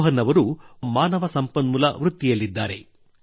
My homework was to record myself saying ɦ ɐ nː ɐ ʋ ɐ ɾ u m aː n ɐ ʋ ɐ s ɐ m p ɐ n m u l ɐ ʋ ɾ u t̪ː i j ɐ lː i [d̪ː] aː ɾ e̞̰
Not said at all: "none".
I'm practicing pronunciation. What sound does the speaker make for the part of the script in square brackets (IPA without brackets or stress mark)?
d̪ː